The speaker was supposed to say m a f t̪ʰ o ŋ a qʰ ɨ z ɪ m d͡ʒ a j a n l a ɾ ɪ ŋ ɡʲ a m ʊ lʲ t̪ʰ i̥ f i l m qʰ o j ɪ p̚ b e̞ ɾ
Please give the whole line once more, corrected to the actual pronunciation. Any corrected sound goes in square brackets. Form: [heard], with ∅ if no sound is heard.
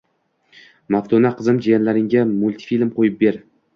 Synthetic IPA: m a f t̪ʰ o [n] a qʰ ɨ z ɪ m d͡ʒ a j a n l a ɾ ɪ ŋ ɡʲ a m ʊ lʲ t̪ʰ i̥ f i l m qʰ o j ɪ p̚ b e̞ ɾ